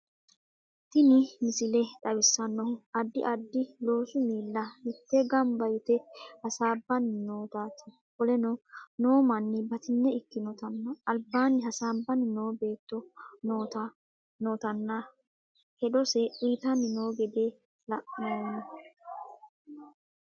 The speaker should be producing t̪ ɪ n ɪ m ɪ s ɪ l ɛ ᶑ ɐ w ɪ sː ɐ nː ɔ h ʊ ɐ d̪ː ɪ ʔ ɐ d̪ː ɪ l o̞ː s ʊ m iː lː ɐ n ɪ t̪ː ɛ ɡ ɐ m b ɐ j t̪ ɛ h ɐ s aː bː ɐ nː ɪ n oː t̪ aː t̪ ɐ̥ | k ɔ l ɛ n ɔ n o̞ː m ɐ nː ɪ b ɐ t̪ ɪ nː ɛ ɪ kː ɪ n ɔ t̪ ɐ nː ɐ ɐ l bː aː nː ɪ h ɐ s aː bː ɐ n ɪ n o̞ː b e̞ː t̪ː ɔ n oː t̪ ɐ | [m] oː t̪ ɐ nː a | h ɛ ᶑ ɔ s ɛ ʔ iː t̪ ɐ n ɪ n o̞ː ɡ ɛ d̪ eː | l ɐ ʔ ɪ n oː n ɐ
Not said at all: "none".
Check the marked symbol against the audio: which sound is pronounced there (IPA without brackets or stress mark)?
n